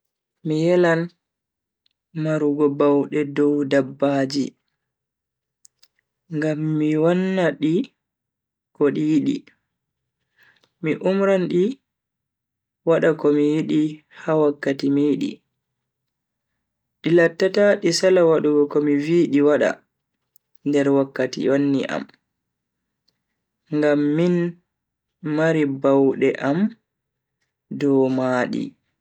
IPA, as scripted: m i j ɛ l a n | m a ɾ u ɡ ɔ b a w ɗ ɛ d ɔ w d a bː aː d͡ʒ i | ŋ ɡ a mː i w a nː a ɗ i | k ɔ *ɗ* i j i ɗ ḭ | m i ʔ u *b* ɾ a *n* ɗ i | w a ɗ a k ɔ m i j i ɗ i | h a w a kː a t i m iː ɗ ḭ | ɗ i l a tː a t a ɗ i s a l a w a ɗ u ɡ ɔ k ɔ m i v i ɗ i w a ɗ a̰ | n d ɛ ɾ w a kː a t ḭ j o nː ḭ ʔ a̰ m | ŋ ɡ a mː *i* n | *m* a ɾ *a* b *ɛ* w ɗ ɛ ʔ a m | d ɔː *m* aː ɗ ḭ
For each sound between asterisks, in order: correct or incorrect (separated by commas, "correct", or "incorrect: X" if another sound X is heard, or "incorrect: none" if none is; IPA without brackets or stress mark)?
correct, incorrect: m, correct, correct, correct, incorrect: i, incorrect: a, correct